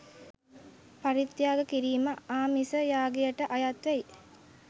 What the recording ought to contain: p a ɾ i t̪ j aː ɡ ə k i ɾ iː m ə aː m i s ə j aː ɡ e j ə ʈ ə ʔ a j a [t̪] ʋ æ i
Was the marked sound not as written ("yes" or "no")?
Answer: no